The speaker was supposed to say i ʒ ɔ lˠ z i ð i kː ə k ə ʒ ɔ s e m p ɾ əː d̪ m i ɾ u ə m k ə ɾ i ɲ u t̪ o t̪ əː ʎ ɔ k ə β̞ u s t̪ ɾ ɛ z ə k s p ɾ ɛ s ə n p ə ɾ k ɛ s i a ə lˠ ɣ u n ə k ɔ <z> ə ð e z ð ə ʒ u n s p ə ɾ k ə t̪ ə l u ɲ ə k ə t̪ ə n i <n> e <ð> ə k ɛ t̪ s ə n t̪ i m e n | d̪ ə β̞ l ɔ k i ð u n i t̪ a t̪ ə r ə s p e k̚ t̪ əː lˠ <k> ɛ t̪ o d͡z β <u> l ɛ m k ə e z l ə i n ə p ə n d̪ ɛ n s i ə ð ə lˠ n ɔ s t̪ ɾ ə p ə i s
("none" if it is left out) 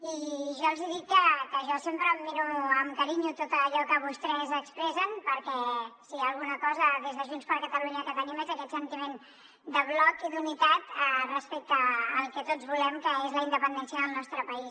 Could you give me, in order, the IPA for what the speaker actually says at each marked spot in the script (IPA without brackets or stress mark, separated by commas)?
z, m, z, k, u